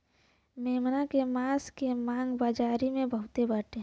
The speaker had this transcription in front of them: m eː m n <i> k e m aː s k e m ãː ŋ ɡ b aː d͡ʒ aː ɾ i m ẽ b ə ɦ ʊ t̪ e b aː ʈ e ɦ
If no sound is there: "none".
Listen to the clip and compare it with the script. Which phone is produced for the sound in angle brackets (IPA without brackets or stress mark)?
a